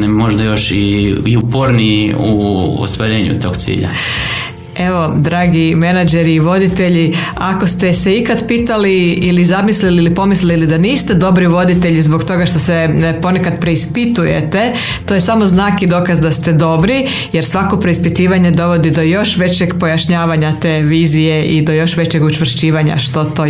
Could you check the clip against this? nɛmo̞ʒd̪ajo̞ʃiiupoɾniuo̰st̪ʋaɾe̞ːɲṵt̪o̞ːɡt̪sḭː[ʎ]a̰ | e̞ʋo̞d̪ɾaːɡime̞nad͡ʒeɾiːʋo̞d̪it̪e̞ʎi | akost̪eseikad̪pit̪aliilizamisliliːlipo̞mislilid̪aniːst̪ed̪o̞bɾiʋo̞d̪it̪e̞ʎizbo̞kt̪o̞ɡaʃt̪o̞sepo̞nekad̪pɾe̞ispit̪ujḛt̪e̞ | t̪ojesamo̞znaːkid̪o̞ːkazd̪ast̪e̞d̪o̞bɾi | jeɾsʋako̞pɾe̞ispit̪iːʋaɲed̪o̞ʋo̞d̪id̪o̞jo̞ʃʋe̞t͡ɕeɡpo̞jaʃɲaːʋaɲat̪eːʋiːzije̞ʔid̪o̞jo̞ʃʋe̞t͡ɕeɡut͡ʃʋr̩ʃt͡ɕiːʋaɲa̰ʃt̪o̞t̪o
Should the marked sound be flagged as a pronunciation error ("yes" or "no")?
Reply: no